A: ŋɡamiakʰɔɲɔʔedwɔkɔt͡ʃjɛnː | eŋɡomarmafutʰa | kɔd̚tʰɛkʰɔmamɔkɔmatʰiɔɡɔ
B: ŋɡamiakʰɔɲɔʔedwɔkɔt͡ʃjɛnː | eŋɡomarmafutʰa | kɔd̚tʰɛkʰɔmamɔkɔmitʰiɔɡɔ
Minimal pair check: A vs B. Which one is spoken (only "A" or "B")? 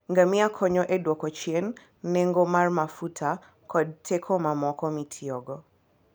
B